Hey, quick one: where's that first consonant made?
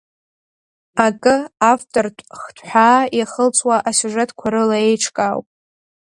velum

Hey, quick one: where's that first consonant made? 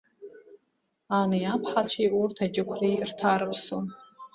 tongue tip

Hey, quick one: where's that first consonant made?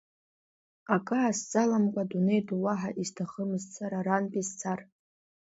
velum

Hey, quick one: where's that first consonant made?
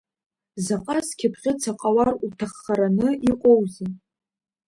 tongue tip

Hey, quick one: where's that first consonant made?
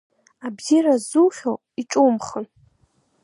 lips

